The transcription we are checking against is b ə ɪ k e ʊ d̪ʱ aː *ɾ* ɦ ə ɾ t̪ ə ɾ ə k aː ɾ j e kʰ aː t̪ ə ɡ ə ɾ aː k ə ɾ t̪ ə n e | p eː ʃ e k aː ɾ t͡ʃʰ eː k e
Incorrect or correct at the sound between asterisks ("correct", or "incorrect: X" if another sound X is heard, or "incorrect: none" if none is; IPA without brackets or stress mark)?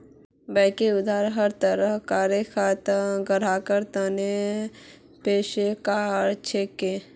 correct